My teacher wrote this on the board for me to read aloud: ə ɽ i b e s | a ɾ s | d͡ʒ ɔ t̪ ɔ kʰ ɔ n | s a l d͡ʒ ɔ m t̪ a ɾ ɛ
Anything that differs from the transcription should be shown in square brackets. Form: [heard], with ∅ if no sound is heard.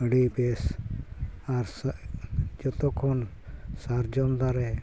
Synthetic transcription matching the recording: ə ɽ i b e s | a ɾ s | d͡ʒ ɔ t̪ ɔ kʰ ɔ n | s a [ɾ] d͡ʒ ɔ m [d̪] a ɾ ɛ